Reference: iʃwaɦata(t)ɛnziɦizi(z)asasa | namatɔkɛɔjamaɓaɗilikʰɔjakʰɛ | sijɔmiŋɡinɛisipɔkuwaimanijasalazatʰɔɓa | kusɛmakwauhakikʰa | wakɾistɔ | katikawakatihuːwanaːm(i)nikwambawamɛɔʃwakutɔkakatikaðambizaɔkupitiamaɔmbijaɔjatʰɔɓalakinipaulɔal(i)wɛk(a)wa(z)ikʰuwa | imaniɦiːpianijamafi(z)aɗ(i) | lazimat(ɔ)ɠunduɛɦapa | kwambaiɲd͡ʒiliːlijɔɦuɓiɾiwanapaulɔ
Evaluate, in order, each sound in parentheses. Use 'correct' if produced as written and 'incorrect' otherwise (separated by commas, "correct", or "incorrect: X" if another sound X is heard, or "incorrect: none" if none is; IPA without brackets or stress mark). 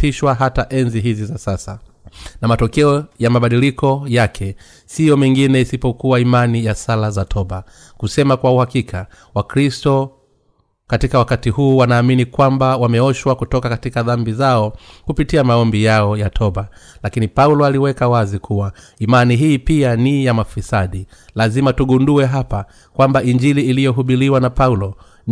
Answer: incorrect: ʔ, correct, correct, correct, correct, correct, incorrect: s, correct, incorrect: u